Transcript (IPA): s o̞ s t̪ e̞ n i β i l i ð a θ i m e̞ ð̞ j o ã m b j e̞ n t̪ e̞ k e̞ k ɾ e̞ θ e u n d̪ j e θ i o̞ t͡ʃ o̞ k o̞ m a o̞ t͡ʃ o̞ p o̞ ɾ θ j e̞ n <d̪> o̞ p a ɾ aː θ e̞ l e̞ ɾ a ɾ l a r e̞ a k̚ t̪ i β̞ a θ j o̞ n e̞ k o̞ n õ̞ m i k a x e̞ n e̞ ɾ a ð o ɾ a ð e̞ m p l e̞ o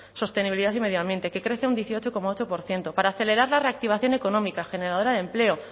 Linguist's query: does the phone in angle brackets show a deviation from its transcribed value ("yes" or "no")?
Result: yes